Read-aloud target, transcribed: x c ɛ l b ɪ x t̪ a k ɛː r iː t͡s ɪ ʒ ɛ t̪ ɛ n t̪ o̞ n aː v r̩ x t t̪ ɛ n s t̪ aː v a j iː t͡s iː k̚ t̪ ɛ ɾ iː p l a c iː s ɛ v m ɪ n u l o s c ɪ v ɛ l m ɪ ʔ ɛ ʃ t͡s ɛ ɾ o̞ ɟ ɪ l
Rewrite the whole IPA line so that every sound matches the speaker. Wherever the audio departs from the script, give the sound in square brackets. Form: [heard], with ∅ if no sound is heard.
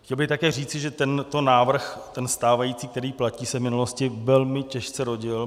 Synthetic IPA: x c ɛ l b ɪ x t̪ a k ɛː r iː t͡s ɪ ʒ ɛ t̪ ɛ n t̪ o̞ n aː v r̩ x t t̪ ɛ n s t̪ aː v a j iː t͡s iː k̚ t̪ ɛ ɾ iː p l a c iː s ɛ v m ɪ n u l o s c ɪ v ɛ l m ɪ [c] ɛ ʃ t͡s ɛ ɾ o̞ ɟ ɪ l